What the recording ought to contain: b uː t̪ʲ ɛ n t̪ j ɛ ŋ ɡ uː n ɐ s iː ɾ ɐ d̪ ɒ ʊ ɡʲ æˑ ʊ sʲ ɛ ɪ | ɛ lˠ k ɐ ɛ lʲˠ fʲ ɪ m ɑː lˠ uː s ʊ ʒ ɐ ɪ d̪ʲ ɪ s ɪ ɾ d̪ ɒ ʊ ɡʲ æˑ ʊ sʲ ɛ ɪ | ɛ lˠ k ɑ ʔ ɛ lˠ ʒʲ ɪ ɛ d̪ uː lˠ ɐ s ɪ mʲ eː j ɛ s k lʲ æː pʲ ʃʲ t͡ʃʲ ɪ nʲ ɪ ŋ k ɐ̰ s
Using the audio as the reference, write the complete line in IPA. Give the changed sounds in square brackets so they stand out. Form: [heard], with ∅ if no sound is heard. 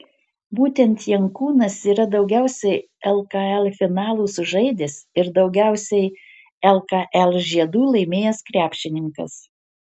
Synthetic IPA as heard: b uː t̪ʲ ɛ n t̪ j ɛ ŋ [k] uː n ɐ s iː ɾ ɐ d̪ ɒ ʊ ɡʲ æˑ ʊ sʲ ɛ ɪ | ɛ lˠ k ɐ ɛ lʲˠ fʲ ɪ [n] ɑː lˠ uː s ʊ ʒ ɐ ɪ d̪ʲ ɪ s ɪ ɾ d̪ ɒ ʊ ɡʲ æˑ ʊ sʲ ɛ ɪ | ɛ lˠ k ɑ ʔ ɛ lˠ ʒʲ [i] ɛ d̪ uː lˠ ɐ [∅] ɪ mʲ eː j ɛ s k [ɾʲ] æː pʲ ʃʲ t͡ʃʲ ɪ nʲ ɪ ŋ k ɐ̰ s